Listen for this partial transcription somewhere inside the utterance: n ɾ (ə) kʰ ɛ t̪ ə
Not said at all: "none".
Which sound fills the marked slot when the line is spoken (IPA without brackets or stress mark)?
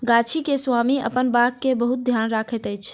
a